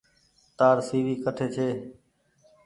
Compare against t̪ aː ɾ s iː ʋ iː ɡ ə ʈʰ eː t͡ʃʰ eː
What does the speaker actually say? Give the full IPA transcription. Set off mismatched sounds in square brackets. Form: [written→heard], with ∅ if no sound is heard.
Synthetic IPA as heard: t̪ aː ɾ s iː ʋ iː [ɡ→k] ə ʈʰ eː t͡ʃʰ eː